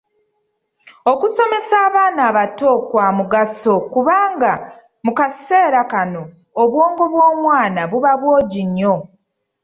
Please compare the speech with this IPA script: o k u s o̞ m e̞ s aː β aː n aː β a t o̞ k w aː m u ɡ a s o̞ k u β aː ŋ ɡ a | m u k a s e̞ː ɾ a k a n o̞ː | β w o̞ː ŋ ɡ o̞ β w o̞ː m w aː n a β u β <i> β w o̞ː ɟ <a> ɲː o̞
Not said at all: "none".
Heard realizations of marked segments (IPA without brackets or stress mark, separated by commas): a, i